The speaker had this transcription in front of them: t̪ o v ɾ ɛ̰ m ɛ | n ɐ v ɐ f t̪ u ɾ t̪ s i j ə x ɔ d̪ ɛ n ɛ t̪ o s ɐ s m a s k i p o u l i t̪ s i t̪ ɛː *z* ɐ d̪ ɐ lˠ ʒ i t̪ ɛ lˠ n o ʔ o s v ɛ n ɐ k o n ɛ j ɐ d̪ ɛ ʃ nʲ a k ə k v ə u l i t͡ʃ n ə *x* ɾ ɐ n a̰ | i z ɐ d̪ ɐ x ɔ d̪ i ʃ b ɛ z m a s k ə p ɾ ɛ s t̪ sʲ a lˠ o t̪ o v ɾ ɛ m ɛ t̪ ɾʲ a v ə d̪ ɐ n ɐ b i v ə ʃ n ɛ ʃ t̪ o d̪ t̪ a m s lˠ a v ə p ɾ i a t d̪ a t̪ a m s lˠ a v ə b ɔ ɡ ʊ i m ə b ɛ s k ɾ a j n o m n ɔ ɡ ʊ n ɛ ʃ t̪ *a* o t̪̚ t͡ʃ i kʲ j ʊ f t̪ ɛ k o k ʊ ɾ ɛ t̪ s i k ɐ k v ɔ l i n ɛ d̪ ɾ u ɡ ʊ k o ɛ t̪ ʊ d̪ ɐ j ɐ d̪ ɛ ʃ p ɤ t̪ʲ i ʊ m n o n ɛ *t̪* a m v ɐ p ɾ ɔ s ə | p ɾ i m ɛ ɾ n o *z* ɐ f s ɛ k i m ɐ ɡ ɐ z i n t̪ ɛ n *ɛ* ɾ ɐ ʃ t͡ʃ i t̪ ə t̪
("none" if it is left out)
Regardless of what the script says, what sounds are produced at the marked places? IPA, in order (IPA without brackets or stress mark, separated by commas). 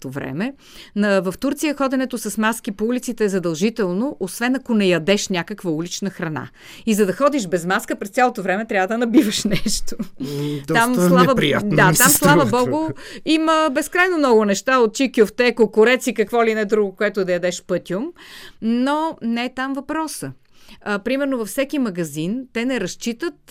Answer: z, x, a, t̪, v, ɛ